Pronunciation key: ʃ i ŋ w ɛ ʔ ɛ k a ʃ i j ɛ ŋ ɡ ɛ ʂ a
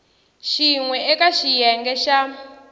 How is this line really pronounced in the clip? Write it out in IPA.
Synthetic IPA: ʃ i ŋ w ɛ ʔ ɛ k a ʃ i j ɛ ŋ ɡ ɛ ʃ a